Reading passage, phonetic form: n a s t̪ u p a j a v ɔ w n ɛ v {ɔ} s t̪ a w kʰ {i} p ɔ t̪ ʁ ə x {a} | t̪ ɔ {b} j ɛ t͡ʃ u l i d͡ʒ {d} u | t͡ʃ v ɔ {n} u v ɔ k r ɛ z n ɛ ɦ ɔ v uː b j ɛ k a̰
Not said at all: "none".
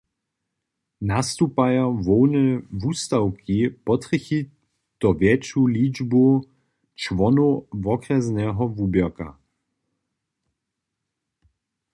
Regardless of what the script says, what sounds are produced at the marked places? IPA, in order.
u, i, i, v, b, n

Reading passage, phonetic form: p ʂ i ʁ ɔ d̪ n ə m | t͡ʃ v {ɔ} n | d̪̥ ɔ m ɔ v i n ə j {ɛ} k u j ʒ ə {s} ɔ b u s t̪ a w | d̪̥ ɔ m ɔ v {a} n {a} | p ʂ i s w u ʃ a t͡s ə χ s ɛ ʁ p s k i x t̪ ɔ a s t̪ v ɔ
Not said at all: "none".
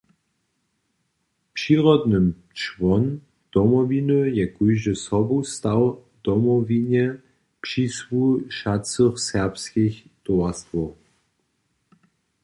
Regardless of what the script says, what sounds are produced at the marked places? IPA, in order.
ɔ, ɛ, s, i, ɛ

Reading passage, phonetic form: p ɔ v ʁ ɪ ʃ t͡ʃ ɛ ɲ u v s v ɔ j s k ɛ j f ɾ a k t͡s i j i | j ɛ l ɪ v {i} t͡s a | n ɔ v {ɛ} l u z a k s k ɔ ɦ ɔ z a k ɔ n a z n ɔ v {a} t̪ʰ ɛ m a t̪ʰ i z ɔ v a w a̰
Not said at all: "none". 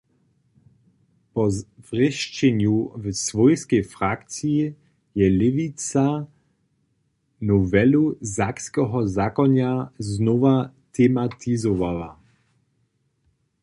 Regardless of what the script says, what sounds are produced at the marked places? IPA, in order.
i, ɛ, a

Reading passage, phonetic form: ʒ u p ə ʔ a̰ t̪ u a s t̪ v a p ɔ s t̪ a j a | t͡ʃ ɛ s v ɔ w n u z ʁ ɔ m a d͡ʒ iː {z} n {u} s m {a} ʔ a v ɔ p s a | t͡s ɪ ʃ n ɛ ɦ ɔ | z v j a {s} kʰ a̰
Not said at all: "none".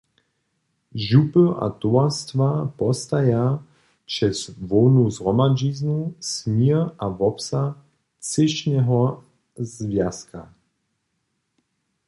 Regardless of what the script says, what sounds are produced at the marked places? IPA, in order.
z, u, i, s

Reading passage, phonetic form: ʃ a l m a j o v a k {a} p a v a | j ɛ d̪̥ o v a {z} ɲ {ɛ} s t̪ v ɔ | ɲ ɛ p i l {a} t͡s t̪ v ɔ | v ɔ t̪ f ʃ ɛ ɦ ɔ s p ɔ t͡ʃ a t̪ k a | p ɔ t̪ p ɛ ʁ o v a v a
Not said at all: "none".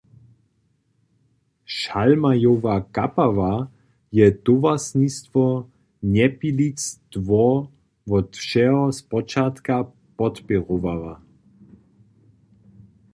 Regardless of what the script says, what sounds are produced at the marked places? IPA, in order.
a, s, i, i

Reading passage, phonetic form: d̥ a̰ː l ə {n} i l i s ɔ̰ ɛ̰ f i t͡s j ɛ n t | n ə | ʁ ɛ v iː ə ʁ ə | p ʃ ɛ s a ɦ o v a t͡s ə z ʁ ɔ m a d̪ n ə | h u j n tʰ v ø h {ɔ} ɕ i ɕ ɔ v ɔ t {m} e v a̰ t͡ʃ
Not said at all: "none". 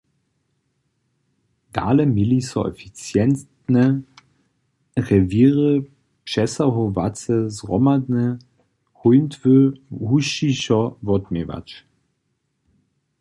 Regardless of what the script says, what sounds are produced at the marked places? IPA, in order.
m, u, m

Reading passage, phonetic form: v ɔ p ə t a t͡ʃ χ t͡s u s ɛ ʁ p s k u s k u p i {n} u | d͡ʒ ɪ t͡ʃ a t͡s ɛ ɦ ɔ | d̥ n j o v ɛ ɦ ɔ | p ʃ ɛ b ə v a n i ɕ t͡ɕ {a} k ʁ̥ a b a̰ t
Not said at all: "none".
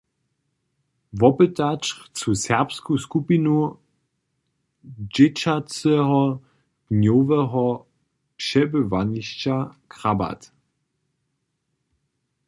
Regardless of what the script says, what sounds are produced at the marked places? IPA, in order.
n, a

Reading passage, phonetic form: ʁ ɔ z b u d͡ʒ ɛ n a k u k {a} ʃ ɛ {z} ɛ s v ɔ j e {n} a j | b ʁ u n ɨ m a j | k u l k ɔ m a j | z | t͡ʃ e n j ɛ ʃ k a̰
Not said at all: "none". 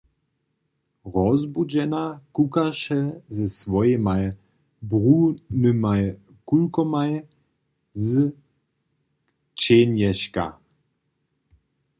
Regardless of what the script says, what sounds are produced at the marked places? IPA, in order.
a, z, m

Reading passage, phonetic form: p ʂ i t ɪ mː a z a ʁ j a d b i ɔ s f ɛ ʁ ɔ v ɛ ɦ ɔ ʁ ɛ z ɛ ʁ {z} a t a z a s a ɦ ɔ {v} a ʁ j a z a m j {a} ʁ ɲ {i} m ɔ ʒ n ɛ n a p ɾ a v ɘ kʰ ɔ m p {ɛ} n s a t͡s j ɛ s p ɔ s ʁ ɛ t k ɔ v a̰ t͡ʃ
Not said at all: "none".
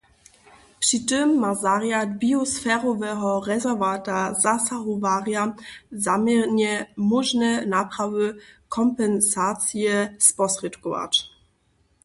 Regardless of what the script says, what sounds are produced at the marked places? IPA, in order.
v, v, ɛ, ɛ, ɛ

